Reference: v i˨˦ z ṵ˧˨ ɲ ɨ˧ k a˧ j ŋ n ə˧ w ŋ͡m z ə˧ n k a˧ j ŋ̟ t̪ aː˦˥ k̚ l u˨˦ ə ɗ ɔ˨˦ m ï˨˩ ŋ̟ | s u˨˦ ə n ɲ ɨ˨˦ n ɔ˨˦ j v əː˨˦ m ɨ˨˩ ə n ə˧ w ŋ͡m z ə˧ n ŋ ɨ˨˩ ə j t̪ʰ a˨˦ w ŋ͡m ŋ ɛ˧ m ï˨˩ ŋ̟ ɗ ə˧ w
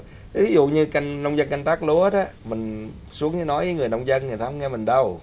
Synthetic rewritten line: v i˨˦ z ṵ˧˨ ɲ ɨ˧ k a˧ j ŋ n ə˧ w ŋ͡m z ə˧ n k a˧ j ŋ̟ t̪ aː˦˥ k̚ l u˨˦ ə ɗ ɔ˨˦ m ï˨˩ ŋ̟ | s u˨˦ ə ŋ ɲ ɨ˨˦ n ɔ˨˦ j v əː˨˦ ŋ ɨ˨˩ ə n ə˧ w ŋ͡m z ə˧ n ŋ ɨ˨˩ ə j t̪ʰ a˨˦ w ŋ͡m ŋ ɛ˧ m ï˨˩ ŋ̟ ɗ ə˧ w